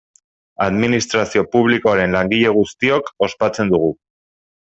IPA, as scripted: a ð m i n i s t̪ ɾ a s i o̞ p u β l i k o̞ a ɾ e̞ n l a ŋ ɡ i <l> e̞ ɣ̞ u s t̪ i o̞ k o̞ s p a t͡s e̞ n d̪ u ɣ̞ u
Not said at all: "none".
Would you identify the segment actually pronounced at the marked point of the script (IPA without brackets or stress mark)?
ʎ